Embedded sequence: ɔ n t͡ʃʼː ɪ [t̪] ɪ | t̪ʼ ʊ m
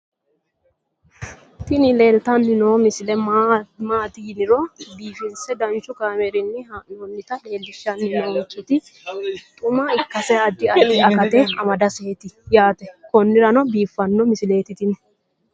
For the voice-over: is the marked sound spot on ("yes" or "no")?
yes